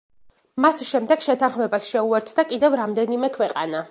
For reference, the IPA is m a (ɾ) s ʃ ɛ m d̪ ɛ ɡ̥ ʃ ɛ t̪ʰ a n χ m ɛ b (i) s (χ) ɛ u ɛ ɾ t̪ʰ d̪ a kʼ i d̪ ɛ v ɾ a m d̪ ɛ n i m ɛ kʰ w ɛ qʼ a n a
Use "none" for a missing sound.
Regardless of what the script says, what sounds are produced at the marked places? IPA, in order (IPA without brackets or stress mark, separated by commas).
none, a, ʃ